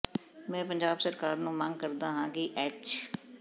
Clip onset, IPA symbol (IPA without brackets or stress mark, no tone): m